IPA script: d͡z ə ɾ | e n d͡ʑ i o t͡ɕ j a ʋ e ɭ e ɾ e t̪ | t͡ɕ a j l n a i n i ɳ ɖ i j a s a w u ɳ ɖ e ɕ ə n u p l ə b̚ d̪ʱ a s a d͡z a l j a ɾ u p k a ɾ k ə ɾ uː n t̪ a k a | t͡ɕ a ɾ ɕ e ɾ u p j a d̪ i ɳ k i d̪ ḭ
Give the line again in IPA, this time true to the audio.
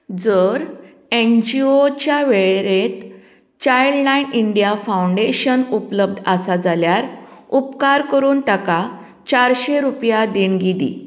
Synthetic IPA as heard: d͡z ə ɾ | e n d͡ʑ i o t͡ɕ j a ʋ e ɭ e ɾ e t̪ | t͡ɕ a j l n a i n i ɳ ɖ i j a f a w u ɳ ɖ e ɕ ə n u p l ə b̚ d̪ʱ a s a d͡z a l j a ɾ u p k a ɾ k ə ɾ uː n t̪ a k a | t͡ɕ a ɾ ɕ e ɾ u p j a d̪ i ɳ ɡ i d̪ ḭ